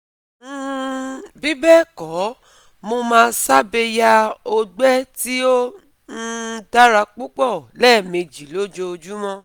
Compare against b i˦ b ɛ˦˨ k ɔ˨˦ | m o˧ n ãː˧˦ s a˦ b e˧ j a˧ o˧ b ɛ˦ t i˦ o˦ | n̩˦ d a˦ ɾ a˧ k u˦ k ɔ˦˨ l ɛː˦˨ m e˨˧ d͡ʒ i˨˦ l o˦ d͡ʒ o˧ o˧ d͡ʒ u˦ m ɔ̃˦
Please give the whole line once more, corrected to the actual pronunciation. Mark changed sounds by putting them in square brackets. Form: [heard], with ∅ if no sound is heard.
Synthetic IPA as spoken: b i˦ b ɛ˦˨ k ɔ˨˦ | m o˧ [m] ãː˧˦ s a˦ b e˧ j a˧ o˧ [ɡ͡b] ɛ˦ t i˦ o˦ | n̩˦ d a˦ ɾ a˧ [k͡p] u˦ [k͡p] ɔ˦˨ l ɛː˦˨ m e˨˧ d͡ʒ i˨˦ l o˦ d͡ʒ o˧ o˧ d͡ʒ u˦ m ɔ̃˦